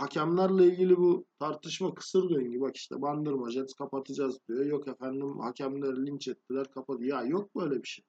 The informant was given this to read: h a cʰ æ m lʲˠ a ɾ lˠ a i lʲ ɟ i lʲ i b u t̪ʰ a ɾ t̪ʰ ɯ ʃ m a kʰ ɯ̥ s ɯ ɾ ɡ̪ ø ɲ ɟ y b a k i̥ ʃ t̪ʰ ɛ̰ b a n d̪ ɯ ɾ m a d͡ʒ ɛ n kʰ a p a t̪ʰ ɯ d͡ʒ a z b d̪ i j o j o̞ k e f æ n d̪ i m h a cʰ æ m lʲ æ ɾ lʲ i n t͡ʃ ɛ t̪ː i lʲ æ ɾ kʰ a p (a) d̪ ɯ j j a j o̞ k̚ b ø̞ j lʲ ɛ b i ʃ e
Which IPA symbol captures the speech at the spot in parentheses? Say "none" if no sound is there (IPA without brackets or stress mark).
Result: a